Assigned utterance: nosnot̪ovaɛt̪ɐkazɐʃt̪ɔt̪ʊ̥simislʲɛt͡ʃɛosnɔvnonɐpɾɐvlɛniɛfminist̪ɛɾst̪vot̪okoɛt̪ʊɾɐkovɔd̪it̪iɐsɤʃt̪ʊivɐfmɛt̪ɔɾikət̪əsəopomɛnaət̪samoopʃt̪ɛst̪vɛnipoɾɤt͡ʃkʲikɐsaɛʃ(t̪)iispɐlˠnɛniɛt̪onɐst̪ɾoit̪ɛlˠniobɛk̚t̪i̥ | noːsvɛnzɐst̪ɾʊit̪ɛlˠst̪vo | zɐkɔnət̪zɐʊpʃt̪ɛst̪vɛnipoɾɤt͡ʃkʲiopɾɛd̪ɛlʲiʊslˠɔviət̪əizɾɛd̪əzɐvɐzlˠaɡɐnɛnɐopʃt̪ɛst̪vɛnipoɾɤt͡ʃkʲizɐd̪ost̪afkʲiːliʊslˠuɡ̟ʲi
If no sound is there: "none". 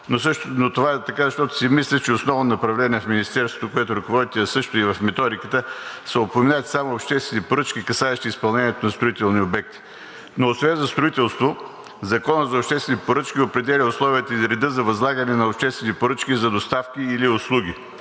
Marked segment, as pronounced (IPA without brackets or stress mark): t̪